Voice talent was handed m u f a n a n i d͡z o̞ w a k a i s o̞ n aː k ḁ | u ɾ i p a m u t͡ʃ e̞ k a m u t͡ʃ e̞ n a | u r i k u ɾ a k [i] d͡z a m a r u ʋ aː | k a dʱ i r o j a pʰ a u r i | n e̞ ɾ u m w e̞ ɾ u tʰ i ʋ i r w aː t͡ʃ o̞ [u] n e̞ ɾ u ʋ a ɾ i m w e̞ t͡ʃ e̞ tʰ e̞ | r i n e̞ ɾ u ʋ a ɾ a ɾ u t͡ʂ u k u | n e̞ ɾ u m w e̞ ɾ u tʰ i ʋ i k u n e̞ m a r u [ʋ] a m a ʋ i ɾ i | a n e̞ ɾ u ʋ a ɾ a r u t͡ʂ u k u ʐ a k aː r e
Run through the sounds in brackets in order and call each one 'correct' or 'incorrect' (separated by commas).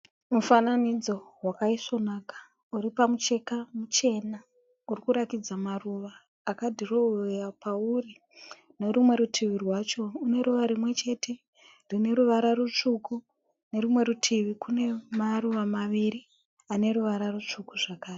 correct, correct, correct